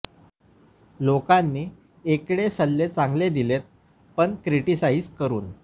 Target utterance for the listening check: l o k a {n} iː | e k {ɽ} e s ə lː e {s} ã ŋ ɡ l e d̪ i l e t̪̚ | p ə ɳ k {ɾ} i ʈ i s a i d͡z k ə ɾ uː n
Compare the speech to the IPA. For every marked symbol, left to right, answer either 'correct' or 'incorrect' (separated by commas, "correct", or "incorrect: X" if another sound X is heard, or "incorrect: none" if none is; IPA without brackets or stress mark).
incorrect: nː, correct, incorrect: t͡s, correct